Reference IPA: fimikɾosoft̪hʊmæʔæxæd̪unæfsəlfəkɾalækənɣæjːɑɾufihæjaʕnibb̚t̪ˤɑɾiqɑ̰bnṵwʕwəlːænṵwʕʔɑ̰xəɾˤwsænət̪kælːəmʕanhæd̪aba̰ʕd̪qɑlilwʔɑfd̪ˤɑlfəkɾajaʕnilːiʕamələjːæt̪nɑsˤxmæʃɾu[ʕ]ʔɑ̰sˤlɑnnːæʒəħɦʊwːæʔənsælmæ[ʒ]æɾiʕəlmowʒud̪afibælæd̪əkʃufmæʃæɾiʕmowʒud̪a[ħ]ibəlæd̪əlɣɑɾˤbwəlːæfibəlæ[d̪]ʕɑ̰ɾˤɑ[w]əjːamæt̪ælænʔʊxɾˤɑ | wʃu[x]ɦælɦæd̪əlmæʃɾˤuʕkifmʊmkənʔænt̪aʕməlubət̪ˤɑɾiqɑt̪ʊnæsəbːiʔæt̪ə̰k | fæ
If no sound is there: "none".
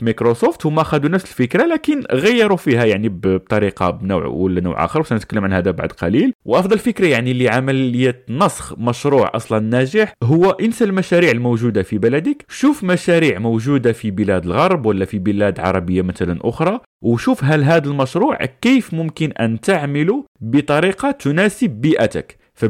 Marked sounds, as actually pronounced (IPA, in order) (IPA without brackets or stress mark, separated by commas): ʕ, ʃ, f, d̪, b, f